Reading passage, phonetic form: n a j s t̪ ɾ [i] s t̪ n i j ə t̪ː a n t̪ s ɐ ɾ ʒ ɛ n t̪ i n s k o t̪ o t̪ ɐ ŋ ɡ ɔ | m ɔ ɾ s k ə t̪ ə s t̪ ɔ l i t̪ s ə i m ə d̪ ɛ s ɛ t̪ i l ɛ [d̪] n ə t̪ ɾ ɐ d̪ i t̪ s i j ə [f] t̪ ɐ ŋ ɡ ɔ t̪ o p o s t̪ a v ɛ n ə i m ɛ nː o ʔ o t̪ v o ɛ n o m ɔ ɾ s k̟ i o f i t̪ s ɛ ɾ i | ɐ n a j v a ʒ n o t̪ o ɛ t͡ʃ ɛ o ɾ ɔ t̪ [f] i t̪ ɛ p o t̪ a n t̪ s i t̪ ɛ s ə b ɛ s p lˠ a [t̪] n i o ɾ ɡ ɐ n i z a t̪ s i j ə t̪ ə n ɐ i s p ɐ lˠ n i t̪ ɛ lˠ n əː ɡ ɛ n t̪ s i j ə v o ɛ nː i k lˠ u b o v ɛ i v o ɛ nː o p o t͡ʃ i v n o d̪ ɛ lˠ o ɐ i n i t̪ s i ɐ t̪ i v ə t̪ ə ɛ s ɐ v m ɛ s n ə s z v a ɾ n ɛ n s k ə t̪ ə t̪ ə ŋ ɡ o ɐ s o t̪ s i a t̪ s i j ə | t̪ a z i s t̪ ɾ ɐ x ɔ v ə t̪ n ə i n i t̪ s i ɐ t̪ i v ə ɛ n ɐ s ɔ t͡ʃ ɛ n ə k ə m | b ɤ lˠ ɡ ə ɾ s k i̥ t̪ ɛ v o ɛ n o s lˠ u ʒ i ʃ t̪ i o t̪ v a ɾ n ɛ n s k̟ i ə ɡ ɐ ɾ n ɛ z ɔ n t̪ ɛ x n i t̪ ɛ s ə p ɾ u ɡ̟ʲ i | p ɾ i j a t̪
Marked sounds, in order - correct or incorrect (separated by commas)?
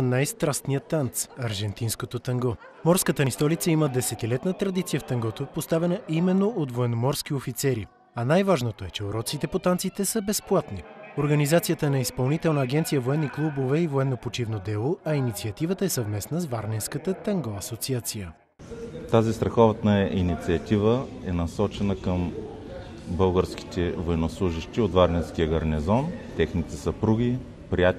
incorrect, incorrect, correct, incorrect, correct